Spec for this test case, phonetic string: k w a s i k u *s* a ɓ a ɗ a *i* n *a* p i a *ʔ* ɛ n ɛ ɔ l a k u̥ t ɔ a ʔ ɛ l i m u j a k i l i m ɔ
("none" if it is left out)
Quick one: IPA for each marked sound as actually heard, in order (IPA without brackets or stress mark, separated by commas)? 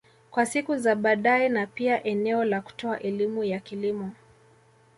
z, ɛ, a, ʔ